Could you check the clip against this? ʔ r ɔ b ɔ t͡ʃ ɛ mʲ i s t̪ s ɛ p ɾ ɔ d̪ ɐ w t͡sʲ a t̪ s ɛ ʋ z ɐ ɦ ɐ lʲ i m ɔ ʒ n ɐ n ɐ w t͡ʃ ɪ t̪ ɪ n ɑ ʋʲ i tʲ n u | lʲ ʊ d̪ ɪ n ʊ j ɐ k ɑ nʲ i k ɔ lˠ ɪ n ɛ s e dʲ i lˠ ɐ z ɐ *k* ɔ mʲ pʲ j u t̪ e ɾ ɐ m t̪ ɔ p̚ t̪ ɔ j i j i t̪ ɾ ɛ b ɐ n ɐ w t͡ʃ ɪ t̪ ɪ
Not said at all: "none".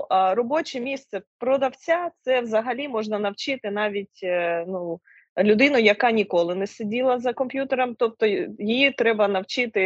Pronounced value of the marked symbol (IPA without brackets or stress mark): k